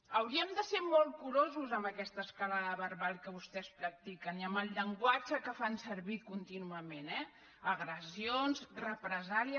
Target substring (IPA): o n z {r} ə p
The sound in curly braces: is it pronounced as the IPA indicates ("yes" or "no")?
yes